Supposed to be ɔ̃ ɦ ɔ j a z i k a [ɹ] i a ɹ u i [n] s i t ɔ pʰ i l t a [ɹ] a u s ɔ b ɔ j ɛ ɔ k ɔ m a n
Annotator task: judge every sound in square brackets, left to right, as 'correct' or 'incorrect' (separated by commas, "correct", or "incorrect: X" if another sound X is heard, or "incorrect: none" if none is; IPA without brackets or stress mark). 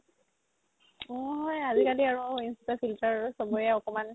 incorrect: l, correct, correct